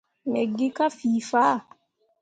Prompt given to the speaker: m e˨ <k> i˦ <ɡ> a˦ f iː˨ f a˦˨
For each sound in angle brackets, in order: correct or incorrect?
incorrect: ɡ, incorrect: k

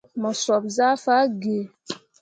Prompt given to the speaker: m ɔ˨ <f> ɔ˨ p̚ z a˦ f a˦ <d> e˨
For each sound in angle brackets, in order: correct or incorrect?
incorrect: s, incorrect: ɡ

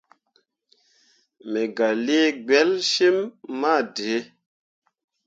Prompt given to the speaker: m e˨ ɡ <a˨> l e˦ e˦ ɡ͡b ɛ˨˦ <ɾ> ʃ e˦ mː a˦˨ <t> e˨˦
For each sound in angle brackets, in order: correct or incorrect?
correct, incorrect: l, incorrect: d

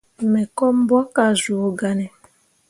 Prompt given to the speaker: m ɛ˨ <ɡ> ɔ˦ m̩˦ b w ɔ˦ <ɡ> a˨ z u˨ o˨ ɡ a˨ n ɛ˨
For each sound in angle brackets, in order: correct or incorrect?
incorrect: k, incorrect: k

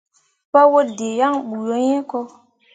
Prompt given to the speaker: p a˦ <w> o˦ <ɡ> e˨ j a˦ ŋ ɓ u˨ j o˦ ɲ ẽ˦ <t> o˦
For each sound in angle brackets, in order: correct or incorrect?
correct, incorrect: d, incorrect: k

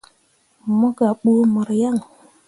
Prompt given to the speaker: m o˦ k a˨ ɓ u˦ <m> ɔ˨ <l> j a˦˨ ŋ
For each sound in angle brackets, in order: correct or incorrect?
correct, incorrect: ɾ

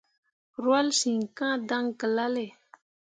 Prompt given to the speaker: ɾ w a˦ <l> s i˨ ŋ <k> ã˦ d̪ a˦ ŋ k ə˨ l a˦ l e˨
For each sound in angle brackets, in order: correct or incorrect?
correct, correct

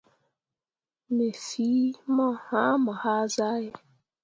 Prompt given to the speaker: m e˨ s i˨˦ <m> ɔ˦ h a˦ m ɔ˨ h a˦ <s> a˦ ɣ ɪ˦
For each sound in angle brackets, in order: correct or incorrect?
correct, incorrect: z

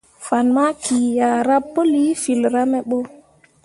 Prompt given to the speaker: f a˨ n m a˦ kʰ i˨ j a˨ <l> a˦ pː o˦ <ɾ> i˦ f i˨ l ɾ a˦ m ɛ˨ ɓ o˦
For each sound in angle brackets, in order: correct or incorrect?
incorrect: ɾ, incorrect: l

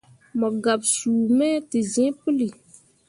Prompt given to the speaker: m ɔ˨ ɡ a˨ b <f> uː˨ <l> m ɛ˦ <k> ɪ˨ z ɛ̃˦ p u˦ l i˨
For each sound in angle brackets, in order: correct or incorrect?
incorrect: s, incorrect: none, incorrect: t

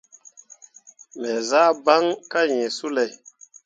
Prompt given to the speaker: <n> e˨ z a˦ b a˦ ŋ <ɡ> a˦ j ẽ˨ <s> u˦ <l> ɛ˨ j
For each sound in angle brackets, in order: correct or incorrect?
incorrect: m, incorrect: k, correct, correct

